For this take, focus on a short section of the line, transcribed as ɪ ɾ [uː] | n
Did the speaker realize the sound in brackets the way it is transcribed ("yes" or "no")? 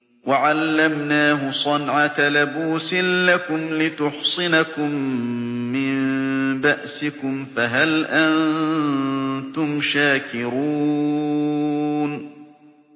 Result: yes